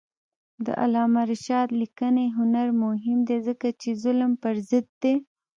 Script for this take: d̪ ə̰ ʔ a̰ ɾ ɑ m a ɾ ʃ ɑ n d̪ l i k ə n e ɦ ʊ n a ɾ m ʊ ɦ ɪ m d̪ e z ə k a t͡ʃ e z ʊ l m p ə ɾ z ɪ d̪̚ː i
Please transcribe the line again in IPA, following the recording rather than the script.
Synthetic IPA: d̪ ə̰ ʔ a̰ l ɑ m a ɾ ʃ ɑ d̪ l i k ə n e ɦ ʊ n a ɾ m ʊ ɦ ɪ m d̪ e z ə k a t͡ʃ e z ʊ l m p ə ɾ z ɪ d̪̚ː e